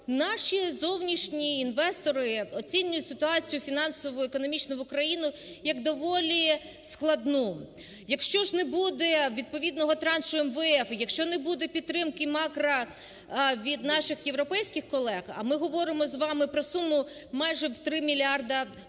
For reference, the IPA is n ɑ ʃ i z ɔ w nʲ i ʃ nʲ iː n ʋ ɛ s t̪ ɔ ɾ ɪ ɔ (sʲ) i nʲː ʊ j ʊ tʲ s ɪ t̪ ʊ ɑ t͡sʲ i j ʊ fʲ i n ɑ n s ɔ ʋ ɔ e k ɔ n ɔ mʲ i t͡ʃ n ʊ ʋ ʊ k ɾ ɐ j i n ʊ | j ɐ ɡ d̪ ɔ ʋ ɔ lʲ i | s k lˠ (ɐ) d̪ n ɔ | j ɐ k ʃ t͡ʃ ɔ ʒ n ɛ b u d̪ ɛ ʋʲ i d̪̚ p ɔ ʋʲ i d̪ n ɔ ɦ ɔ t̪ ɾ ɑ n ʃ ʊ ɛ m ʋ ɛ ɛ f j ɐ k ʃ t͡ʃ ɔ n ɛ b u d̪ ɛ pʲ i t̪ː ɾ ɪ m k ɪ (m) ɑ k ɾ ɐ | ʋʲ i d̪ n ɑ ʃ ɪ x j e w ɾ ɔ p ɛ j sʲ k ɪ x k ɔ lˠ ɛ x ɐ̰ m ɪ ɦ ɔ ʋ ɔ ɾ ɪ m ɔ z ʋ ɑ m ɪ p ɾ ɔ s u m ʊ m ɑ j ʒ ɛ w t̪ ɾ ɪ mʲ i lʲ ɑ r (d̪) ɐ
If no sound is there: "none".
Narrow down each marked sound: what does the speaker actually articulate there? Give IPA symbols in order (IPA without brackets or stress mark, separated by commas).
t͡sʲ, ɐ, m, d̪